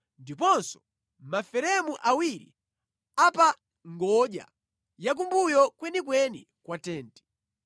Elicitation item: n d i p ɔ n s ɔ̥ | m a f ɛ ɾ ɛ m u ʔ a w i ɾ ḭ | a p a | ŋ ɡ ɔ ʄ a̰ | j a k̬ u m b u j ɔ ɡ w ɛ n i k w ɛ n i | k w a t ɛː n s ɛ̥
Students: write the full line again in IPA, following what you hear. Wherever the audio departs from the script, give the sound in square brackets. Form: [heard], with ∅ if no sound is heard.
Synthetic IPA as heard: n d i p ɔ n s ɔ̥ | m a f ɛ ɾ ɛ m u ʔ a w i ɾ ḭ | a p a | ŋ ɡ ɔ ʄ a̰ | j a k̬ u m b u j ɔ [k] w ɛ n i k w ɛ n i | k w a t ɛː n [t] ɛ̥